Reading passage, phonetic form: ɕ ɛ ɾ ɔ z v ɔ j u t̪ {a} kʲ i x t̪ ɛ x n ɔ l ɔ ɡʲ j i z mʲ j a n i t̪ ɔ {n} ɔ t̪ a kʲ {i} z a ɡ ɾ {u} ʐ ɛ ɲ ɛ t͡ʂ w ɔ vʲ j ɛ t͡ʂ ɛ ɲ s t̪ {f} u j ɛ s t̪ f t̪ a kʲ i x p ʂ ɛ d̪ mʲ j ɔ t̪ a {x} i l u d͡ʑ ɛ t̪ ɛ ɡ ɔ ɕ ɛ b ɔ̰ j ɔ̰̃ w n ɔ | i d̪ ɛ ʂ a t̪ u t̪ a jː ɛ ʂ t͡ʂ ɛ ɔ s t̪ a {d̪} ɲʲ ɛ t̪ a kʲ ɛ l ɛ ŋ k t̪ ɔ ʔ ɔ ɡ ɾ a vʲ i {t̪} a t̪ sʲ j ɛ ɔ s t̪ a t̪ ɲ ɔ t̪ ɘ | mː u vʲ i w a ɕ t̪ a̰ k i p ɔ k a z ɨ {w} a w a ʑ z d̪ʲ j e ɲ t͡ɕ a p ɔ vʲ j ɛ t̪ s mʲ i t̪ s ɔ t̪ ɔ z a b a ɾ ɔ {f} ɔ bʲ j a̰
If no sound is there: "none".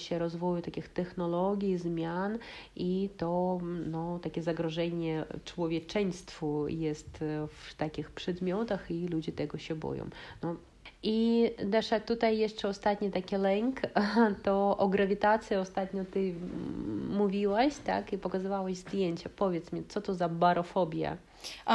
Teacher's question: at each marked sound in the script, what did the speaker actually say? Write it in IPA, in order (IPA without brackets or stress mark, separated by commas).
a, n, ɛ, ɔ, f, x, t̪, t̪, v, f